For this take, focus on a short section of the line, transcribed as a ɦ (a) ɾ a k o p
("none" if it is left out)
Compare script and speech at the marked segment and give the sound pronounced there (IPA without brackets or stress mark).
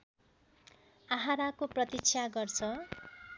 a